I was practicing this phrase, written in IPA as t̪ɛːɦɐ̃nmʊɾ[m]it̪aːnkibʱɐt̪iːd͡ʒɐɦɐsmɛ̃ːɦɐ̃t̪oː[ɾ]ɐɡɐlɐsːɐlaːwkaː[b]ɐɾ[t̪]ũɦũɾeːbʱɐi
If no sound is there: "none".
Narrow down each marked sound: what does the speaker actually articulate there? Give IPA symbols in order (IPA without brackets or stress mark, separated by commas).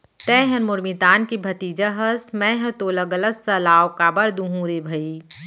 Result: m, l, b, d̪